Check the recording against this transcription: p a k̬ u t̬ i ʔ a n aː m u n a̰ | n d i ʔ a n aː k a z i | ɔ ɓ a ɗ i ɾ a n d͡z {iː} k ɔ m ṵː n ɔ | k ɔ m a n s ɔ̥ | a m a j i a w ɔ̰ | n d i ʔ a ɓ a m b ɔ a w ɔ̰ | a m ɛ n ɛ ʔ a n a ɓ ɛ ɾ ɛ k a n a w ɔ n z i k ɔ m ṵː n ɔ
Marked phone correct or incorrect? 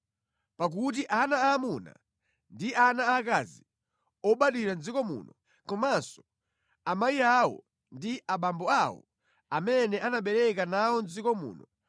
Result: incorrect